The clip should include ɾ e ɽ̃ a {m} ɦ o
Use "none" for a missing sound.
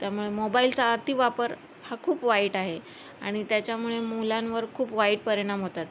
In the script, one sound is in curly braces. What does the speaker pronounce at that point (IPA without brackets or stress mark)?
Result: m